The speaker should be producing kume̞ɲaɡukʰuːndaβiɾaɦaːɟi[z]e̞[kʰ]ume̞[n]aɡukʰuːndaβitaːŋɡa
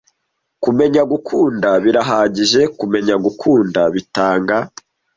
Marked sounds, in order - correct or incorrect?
incorrect: ʒ, incorrect: k, incorrect: ɲ

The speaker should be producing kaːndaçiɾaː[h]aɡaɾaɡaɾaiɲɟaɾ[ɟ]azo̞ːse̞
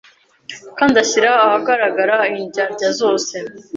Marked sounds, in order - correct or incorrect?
correct, correct

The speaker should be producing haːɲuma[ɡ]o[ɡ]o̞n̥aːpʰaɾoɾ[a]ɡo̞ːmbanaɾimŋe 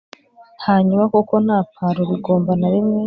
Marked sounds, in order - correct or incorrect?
incorrect: k, incorrect: k, incorrect: i

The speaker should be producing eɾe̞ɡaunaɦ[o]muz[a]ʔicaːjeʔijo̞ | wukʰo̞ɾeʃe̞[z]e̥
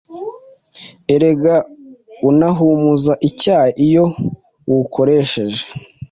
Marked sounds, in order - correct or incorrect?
incorrect: u, correct, incorrect: ʒ

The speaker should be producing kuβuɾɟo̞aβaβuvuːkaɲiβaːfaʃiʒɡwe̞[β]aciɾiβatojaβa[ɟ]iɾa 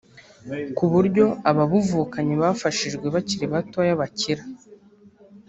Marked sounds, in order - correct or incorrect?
correct, incorrect: c

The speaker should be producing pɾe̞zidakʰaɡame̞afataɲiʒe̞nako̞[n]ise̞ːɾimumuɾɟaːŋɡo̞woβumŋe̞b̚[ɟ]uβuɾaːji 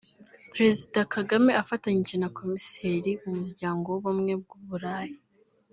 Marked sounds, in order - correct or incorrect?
incorrect: m, incorrect: ɡ

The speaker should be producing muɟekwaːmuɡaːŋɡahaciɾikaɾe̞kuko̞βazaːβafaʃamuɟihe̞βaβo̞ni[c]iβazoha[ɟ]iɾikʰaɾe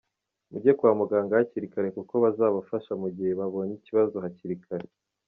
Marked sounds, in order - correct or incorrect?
correct, incorrect: c

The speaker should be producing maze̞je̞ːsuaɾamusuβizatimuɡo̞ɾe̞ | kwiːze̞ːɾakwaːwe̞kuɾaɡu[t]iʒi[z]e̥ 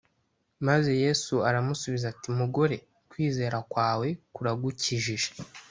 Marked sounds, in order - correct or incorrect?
incorrect: c, incorrect: ʒ

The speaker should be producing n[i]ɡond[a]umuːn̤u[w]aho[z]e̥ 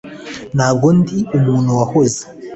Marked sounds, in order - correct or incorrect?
incorrect: a, incorrect: i, correct, correct

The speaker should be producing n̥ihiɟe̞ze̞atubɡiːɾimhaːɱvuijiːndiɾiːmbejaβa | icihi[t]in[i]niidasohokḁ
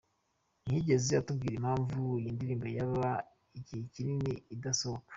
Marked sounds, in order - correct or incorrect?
incorrect: c, correct

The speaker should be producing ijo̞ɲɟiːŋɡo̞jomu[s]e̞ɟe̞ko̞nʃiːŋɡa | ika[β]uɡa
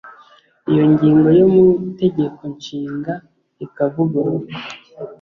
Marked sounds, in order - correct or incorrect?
incorrect: t, incorrect: v

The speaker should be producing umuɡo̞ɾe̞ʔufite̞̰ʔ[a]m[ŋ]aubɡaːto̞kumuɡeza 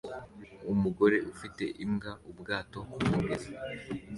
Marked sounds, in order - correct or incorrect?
incorrect: i, incorrect: ɡ

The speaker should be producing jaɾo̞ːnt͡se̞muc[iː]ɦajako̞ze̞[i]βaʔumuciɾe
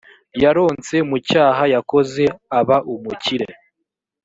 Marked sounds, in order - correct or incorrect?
incorrect: aː, incorrect: a

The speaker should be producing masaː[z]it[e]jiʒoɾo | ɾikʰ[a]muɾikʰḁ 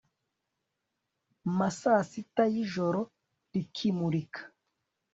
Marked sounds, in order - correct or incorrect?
incorrect: s, incorrect: a, incorrect: i

